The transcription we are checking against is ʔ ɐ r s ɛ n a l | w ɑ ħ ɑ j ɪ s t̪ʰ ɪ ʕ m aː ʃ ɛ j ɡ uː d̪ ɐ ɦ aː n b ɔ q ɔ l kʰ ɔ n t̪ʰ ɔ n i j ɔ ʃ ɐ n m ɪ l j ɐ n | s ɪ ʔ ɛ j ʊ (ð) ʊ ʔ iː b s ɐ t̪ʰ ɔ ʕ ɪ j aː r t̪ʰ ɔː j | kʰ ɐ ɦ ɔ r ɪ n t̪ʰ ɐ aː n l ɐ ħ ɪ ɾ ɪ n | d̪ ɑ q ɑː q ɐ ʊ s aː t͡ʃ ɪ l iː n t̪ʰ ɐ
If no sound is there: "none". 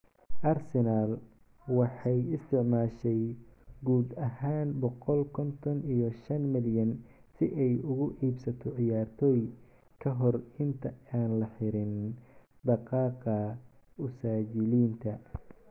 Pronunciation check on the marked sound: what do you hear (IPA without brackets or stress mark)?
ɣ